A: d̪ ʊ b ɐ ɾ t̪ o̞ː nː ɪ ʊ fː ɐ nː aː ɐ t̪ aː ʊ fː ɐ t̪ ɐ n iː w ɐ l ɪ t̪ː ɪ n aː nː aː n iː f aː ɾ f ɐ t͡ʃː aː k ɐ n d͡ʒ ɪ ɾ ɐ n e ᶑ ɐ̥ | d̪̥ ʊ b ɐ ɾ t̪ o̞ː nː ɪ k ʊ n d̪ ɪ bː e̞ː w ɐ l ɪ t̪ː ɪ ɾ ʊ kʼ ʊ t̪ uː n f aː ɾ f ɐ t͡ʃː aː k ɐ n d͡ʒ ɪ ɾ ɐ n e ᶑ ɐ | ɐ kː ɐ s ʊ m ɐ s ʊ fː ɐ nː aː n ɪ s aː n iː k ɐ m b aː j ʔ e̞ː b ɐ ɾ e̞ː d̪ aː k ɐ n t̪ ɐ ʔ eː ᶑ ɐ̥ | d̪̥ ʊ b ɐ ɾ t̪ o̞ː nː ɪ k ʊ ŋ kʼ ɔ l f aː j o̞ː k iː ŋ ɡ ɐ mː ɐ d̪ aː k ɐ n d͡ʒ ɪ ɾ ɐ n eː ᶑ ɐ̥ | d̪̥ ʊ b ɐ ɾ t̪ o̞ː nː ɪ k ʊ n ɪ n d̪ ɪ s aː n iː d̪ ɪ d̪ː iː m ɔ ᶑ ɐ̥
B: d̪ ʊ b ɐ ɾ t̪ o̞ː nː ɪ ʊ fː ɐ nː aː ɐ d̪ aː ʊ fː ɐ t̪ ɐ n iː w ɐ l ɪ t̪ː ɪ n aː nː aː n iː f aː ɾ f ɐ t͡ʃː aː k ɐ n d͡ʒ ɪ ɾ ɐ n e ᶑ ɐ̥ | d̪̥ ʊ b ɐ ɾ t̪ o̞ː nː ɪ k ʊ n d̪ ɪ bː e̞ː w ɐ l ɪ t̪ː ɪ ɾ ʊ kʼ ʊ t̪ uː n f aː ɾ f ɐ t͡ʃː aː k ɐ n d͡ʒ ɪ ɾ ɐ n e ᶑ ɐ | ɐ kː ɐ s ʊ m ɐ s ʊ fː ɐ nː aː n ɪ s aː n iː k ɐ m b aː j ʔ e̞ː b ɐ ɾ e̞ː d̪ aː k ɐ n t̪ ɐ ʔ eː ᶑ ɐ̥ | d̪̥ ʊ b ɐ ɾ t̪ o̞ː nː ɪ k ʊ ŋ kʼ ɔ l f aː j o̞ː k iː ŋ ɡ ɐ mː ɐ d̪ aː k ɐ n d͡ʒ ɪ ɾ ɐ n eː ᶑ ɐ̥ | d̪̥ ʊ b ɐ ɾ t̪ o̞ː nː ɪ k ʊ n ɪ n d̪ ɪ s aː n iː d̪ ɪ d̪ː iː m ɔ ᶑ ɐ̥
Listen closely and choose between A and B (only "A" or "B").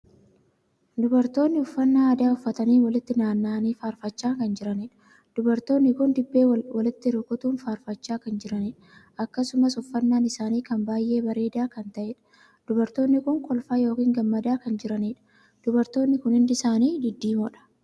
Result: B